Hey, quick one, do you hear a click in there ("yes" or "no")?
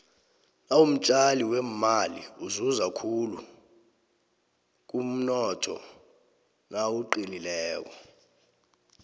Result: yes